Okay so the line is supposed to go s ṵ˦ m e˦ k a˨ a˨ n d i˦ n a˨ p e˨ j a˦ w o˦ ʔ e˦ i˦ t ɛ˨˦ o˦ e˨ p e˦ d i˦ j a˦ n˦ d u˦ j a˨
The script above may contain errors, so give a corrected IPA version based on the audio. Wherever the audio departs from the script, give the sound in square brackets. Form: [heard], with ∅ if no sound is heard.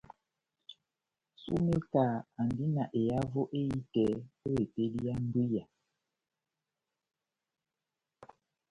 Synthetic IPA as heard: s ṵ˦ m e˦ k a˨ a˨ n d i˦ n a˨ [ʔ] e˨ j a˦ [v] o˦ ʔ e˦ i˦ t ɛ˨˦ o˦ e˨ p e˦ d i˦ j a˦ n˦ d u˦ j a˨